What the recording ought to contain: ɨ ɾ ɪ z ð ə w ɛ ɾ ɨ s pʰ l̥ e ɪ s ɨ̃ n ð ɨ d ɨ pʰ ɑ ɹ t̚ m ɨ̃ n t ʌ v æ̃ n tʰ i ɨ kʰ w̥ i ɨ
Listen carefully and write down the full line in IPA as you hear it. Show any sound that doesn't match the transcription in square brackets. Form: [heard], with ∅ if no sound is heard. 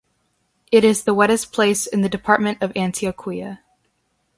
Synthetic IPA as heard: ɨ ɾ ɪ z ð ə w ɛ ɾ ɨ s pʰ l̥ e ɪ s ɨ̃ n ð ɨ d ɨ pʰ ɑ ɹ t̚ m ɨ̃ n t ʌ v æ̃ n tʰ i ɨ kʰ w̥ i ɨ